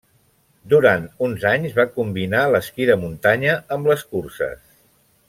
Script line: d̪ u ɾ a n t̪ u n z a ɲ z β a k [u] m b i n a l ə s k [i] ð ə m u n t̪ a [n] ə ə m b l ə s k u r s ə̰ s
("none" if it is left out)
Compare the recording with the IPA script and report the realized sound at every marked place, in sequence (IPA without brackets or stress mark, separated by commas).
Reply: u, i, ɲ